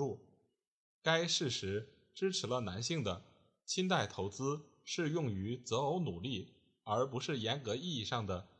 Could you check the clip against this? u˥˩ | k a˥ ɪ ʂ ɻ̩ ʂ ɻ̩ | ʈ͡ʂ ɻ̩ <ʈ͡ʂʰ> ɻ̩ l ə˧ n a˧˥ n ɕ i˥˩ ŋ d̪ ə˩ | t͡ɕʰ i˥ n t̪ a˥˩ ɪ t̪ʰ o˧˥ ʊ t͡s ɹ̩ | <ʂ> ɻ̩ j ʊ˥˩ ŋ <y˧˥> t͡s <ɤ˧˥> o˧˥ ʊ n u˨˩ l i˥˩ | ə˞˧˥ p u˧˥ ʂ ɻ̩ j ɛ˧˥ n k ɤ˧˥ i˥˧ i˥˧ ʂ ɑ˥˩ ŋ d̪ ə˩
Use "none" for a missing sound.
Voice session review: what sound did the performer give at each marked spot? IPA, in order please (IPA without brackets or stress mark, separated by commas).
ʈ͡ʂʰ, ʂ, y˧˥, ɤ˧˥